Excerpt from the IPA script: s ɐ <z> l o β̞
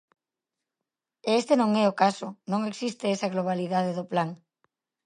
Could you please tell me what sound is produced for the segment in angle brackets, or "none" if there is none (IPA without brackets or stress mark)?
ɣ